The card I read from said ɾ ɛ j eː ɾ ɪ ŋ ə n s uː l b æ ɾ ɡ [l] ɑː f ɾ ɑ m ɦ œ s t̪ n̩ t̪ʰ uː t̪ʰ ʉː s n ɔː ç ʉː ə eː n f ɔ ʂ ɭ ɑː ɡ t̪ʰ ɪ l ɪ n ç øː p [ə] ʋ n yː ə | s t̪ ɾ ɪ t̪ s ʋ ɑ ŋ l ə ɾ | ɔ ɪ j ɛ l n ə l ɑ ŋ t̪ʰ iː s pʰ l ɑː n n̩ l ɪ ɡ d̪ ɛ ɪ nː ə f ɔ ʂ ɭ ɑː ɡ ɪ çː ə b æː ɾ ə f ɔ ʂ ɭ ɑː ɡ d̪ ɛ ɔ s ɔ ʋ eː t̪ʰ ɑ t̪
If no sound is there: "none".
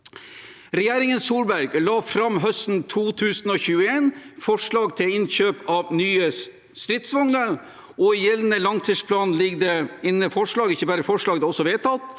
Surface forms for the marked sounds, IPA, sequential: l, ɑ

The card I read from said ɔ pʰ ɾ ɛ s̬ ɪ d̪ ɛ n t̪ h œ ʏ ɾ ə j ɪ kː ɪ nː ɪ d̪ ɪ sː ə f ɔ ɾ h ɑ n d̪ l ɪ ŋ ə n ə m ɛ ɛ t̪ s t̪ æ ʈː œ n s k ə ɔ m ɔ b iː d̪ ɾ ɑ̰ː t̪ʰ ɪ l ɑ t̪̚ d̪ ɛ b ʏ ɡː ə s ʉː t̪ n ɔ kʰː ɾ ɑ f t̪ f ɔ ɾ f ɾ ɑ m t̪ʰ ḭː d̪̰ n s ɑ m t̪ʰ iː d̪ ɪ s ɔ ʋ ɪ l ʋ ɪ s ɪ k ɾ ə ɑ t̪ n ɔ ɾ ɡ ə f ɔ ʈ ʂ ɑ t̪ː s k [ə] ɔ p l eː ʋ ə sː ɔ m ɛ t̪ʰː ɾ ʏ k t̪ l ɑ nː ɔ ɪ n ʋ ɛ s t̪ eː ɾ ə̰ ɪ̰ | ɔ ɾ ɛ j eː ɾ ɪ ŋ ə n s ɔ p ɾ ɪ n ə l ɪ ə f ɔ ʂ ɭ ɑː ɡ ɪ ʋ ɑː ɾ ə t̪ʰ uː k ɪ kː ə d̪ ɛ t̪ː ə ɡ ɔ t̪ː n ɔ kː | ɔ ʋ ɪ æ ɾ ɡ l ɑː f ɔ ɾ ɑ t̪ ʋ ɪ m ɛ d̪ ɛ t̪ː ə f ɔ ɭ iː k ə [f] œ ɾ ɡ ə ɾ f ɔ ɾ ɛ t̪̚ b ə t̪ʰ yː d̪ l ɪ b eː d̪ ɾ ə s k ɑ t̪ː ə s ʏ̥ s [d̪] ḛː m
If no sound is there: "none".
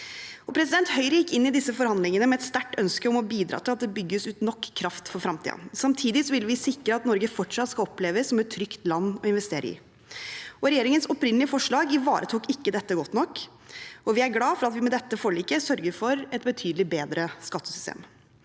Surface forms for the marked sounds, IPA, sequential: ɑ, s, t̪

